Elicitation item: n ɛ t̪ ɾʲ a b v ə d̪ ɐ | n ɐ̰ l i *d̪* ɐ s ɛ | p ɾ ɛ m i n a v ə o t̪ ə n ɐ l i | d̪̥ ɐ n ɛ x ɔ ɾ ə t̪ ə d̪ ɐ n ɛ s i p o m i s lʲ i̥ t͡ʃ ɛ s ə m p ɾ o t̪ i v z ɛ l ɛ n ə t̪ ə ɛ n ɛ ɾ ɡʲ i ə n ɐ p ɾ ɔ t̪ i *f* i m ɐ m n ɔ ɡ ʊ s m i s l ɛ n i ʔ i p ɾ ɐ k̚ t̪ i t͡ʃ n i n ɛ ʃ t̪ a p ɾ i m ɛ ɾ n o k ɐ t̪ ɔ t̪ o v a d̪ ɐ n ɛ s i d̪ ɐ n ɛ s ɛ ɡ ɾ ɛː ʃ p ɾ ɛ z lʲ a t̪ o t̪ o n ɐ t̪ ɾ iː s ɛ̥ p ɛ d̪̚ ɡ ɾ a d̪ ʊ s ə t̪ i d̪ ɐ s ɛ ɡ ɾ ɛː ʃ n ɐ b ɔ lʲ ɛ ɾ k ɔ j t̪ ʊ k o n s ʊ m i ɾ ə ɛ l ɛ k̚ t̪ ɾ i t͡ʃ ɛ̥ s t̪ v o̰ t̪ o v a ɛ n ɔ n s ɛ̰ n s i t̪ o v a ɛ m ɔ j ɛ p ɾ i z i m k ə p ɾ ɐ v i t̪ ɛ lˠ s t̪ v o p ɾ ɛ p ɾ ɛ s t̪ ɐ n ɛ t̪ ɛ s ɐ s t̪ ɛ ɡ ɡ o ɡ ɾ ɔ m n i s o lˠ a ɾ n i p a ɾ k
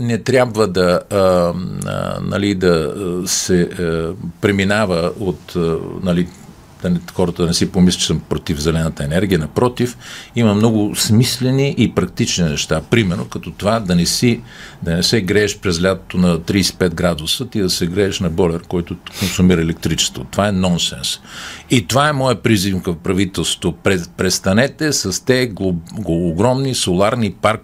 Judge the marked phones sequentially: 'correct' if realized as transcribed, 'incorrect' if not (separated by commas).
correct, correct